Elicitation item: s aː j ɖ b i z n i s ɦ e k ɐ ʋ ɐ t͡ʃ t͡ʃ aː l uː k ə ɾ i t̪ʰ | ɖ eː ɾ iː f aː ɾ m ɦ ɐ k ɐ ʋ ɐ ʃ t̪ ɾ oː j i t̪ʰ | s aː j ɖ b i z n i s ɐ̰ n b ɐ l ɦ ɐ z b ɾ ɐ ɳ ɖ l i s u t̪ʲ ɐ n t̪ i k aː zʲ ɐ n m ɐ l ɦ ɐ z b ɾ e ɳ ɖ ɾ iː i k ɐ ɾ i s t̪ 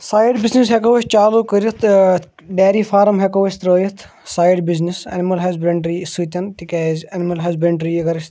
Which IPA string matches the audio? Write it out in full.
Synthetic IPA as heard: s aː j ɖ b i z n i s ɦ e k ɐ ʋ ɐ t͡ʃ t͡ʃ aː l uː k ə ɾ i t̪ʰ | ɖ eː ɾ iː f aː ɾ m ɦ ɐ k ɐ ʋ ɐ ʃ t̪ ɾ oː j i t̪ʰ | s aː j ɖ b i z n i s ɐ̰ n m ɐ l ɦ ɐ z b ɾ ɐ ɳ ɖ ɾ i s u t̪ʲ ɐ n t̪ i k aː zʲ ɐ n m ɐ l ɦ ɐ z b ɾ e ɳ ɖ ɾ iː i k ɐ ɾ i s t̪